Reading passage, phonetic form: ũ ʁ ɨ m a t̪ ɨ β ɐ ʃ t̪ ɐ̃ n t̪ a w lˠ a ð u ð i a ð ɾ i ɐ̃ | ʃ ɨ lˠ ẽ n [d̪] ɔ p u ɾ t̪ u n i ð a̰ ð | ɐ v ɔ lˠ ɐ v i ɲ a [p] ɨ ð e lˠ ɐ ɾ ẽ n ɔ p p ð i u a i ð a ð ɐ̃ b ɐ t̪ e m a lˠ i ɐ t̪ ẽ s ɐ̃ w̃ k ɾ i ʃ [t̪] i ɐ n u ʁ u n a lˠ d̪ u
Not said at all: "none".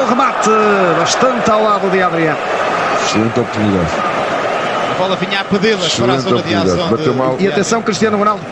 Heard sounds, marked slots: t̪, p, t̪

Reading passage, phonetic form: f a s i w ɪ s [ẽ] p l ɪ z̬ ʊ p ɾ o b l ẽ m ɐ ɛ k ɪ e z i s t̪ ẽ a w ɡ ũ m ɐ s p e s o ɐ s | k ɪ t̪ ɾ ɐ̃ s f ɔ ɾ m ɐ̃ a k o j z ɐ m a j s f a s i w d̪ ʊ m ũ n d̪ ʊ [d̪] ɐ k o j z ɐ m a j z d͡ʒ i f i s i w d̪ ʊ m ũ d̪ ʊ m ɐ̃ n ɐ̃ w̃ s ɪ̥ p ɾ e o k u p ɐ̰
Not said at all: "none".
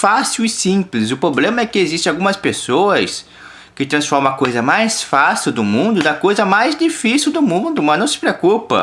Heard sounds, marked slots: ĩ, d̪

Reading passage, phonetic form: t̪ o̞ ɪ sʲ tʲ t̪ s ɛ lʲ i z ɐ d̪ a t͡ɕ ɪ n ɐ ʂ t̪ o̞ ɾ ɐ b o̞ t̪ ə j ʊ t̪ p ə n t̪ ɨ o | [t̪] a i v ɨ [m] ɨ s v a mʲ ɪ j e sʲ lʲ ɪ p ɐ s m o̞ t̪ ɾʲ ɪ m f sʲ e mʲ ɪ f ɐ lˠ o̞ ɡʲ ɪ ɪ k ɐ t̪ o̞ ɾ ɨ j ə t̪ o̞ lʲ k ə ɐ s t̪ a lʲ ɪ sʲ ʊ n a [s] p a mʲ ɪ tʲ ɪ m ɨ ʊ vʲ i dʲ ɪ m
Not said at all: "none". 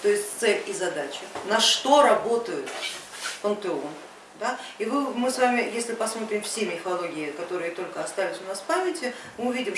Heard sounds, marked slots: d̪, m, s

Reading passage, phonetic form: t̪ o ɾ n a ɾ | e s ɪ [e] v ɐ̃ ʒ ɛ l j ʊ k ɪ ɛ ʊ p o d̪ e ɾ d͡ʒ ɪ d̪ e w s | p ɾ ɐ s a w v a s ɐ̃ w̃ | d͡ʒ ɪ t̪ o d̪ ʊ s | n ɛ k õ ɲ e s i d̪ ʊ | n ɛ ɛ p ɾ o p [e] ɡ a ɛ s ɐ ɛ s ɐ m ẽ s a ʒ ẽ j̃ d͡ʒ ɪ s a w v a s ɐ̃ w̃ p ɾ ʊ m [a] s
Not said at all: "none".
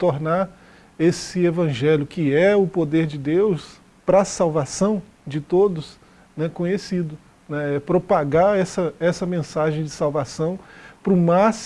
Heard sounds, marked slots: e, a, a

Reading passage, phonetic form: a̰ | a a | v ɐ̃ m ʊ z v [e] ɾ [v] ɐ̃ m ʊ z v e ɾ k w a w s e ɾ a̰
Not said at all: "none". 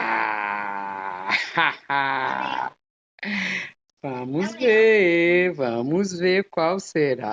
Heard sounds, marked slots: e, v

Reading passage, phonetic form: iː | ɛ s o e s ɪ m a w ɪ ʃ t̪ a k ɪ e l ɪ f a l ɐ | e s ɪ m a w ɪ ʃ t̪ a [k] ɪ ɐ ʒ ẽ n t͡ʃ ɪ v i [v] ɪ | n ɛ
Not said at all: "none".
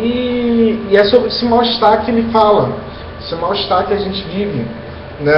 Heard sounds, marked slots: k, v

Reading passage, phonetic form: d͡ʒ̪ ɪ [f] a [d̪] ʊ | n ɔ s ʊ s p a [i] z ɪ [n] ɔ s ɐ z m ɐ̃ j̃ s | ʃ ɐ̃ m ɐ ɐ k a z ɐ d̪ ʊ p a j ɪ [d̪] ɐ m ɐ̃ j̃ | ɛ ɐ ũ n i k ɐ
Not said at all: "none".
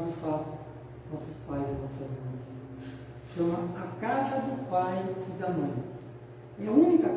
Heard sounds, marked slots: f, t̪, j, n, d̪

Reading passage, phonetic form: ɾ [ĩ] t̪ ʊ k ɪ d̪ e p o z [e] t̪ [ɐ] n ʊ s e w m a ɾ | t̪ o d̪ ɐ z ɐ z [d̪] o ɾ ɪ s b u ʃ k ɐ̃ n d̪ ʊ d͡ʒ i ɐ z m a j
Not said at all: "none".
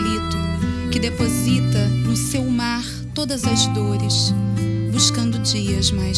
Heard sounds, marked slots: i, i, ɐ, d̪

